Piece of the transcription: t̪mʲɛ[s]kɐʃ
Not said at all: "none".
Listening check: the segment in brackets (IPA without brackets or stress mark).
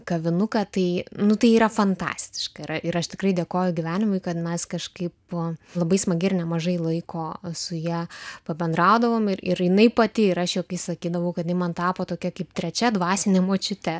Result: s